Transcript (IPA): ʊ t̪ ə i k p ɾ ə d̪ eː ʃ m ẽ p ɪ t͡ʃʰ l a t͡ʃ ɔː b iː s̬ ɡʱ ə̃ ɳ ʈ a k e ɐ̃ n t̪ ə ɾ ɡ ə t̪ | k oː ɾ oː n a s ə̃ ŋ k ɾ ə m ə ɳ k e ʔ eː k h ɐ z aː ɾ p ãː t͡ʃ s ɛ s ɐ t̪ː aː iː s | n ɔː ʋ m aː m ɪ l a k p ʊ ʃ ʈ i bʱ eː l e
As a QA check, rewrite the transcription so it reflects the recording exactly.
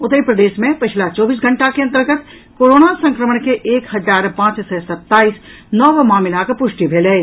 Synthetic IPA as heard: ʊ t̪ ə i p ɾ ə d̪ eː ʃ m ẽ p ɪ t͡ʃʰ l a t͡ʃ ɔː b iː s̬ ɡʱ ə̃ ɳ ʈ a k e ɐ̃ n t̪ ə ɾ ɡ ə t̪ | k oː ɾ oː n a s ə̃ ŋ k ɾ ə m ə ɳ k e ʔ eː k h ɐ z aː ɾ p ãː t͡ʃ s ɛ s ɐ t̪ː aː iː s | n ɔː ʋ m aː m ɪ l a k p ʊ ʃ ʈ i bʱ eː l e